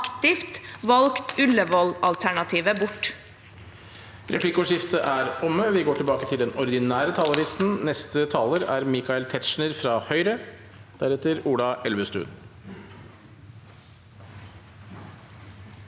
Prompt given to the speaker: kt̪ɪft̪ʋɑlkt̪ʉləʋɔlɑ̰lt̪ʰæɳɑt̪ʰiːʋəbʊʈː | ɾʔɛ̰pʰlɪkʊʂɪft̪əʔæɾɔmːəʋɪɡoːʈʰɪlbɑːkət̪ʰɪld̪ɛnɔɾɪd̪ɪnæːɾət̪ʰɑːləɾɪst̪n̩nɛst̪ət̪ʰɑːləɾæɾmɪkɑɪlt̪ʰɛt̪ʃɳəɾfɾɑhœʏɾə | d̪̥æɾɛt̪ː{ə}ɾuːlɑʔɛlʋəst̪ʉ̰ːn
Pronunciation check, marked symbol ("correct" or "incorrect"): correct